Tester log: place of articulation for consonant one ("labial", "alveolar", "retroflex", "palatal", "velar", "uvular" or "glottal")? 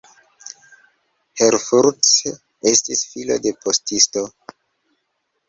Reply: glottal